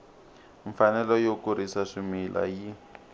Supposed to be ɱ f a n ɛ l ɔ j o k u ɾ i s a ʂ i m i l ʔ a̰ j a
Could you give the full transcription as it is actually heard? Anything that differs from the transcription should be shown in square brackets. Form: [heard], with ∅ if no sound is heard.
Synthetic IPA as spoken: ɱ f a n ɛ l ɔ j o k u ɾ i s a ʂ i m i l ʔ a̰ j [i]